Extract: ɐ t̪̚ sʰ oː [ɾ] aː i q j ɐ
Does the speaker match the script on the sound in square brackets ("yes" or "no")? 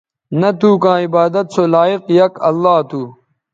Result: no